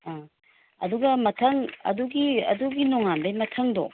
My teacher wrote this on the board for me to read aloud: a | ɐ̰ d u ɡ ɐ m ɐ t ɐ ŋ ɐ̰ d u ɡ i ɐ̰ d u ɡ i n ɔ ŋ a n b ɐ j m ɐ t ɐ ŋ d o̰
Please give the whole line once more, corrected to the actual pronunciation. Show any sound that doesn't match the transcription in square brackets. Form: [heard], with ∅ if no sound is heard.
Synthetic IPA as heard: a | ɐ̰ d u ɡ ɐ m ɐ [tʰ] ɐ ŋ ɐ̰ d u ɡ i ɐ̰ d u ɡ i n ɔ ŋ a n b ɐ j m ɐ [tʰ] ɐ ŋ d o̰